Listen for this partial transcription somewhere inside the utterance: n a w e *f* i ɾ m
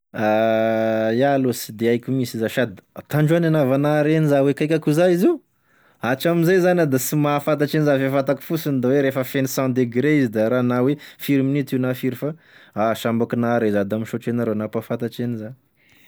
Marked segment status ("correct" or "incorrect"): correct